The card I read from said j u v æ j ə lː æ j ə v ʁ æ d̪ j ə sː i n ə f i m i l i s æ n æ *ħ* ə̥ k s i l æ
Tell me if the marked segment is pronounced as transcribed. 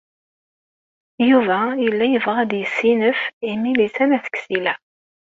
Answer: no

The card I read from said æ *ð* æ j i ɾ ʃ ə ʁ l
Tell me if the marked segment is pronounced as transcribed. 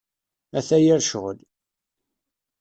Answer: no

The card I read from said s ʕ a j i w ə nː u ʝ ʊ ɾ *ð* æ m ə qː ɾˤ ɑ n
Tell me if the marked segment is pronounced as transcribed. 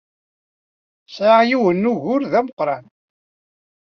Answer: yes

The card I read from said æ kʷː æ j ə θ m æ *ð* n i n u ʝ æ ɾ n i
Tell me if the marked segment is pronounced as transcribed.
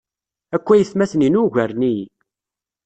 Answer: no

